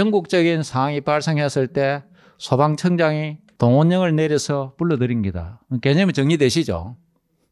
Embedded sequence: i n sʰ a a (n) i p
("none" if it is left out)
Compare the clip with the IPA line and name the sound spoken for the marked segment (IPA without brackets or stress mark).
ŋ